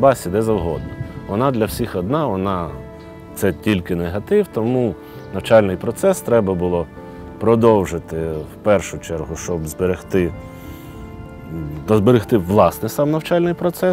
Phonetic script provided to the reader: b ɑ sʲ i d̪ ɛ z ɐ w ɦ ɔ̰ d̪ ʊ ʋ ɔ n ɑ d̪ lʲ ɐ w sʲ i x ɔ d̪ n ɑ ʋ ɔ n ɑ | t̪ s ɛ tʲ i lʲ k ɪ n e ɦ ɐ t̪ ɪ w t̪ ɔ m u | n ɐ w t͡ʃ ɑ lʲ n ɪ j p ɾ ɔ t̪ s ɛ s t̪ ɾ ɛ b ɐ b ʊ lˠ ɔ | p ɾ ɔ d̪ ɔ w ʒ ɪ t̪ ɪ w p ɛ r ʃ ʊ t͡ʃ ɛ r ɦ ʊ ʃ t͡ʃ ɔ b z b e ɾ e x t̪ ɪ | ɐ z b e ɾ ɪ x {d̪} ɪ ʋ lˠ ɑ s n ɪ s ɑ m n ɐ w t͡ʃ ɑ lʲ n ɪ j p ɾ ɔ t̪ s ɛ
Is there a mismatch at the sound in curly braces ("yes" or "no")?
yes